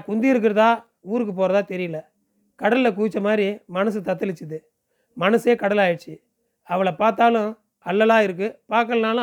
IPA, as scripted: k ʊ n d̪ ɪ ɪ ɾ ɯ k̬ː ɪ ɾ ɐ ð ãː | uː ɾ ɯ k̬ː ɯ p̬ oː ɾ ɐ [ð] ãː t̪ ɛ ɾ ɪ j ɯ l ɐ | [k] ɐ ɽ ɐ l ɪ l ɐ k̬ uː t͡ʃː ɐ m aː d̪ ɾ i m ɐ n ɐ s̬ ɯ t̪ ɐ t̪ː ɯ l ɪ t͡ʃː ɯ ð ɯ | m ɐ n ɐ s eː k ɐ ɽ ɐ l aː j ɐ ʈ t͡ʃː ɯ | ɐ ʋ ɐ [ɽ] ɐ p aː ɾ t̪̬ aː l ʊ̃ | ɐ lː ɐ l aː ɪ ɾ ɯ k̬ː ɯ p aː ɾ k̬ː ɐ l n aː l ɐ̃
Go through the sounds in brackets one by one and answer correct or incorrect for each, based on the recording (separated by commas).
correct, correct, incorrect